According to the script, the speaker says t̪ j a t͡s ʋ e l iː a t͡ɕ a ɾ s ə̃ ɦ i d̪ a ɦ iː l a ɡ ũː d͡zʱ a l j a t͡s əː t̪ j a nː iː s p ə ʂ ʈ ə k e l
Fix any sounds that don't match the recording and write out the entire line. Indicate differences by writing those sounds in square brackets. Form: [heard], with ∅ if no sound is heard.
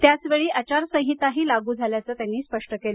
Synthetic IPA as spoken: t̪ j a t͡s ʋ e [ɭ] iː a t͡ɕ a ɾ s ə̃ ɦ i [t̪] a ɦ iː l a ɡ [uː] d͡zʱ a l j a t͡s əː t̪ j a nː iː s p ə ʂ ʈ ə k e l